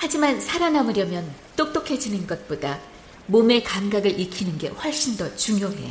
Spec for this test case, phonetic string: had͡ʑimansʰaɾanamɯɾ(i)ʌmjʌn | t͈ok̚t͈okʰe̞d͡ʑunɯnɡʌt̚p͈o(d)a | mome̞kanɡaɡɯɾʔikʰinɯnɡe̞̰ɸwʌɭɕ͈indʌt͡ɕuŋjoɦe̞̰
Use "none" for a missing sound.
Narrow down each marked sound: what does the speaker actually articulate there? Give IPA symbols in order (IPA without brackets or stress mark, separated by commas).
j, d